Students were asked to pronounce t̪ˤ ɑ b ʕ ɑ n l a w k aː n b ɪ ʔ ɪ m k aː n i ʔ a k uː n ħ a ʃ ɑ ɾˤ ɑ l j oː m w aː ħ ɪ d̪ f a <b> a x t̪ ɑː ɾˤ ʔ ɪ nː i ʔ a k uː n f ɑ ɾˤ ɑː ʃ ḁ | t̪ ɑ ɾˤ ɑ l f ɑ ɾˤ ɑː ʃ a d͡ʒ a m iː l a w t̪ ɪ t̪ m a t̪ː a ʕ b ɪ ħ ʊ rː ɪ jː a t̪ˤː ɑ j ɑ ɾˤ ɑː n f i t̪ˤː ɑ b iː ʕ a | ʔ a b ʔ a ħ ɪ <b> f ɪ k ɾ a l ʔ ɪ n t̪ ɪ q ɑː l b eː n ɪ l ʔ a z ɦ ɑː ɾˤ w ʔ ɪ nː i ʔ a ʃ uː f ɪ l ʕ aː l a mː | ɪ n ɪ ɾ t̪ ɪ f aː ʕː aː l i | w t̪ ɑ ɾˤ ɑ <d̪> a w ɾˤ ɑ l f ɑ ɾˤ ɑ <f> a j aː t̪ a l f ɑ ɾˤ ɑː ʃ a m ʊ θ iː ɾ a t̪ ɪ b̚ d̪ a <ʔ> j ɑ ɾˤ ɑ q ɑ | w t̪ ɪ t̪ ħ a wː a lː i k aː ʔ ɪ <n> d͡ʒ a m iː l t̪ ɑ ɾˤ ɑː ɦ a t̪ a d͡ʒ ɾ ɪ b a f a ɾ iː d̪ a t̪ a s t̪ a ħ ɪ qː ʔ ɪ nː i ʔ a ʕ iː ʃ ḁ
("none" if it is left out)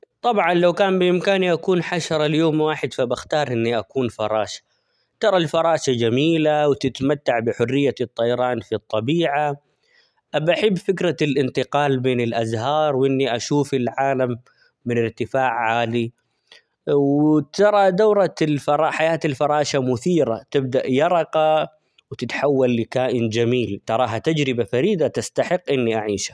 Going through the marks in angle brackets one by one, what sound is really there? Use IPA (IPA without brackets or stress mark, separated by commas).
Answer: b, bː, d̪, ħ, ʔ, n